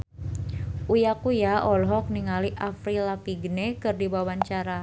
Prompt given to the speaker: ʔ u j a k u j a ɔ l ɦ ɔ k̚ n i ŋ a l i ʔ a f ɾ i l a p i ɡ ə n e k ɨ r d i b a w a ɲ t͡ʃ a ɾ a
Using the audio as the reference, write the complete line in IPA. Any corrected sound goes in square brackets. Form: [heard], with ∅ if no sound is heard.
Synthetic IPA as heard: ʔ u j a k u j a ɔ l ɦ ɔ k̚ n i ŋ a l i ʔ a f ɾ i l a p i ɡ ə n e k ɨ r d i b a w a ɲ t͡ʃ a ɾ a